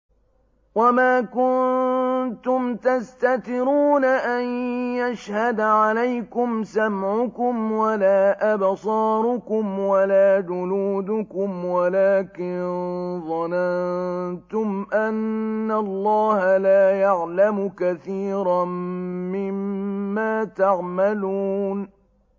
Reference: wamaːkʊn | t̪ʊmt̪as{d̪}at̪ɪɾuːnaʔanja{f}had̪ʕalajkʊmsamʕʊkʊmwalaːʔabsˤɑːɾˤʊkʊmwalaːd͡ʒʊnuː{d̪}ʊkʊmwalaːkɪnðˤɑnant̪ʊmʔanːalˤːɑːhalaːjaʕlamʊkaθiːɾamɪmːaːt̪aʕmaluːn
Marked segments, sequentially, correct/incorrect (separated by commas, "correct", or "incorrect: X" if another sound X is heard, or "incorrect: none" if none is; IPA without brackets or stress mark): incorrect: t̪, incorrect: ʃ, correct